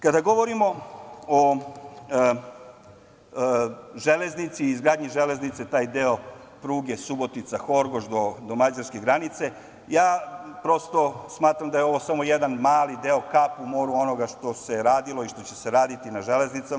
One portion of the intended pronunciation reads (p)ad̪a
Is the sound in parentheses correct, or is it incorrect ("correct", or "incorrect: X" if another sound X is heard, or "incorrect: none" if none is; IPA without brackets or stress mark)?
incorrect: k